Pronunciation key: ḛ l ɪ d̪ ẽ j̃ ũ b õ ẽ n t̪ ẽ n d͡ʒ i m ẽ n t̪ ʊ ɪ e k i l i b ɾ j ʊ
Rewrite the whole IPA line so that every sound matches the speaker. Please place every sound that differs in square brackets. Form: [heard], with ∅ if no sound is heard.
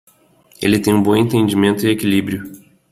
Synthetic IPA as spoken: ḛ l ɪ [t̪] ẽ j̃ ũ b õ ẽ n t̪ ẽ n d͡ʒ i m ẽ n t̪ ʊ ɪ e k i l i b ɾ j ʊ